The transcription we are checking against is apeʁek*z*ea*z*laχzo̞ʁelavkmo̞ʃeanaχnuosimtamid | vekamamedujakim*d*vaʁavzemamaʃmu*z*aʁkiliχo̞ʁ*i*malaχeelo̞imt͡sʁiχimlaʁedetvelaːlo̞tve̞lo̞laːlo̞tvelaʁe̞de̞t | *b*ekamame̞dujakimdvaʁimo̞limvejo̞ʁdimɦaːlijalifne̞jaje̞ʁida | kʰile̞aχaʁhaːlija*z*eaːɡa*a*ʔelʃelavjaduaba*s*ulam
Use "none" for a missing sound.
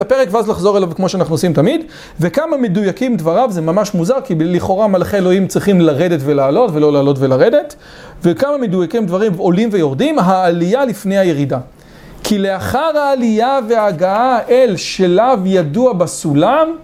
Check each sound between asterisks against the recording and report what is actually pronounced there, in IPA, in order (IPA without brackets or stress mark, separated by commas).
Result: v, z, d, z, a, v, v, a, s